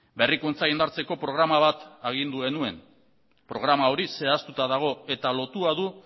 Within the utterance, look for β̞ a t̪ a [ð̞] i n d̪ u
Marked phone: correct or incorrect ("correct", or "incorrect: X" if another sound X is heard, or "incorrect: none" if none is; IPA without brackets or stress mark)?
incorrect: ɣ̞